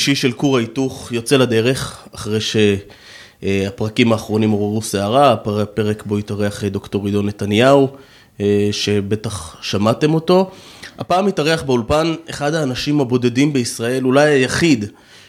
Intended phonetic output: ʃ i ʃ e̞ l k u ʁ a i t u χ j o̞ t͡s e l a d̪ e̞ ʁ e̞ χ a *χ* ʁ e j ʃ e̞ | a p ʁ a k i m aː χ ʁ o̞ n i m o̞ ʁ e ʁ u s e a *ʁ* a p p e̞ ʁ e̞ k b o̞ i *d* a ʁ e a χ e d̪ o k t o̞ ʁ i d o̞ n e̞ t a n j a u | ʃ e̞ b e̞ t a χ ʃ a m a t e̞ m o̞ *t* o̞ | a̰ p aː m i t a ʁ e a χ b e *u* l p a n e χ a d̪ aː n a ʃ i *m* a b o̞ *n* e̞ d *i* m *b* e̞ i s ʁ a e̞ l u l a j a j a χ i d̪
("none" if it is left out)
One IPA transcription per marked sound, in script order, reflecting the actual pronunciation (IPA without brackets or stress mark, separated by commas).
χ, ʁ, t, t, u, m, d, i, b